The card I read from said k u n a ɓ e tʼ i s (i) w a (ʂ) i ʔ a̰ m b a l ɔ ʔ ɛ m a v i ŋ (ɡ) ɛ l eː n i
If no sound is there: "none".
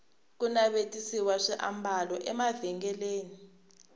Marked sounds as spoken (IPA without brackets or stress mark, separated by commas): i, ʂ, ɡ